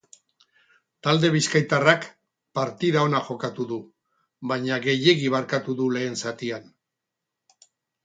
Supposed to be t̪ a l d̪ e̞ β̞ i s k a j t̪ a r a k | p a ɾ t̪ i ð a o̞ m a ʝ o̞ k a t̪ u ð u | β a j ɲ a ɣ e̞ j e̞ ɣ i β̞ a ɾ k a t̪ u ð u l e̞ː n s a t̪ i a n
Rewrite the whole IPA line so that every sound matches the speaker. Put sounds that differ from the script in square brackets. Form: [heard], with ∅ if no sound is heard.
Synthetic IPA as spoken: t̪ a l d̪ e̞ β̞ i s k a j t̪ a r a k | p a ɾ t̪ i ð a o̞ [n] a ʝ o̞ k a t̪ u ð u | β a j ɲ a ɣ e̞ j e̞ ɣ i β̞ a ɾ k a t̪ u ð u l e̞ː n s a t̪ i a n